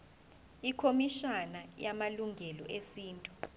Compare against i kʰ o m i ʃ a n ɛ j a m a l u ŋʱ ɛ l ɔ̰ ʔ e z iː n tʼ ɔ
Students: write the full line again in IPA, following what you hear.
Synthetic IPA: i kʰ o m i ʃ a n a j a m a l u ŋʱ ɛ l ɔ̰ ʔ e s iː n tʼ u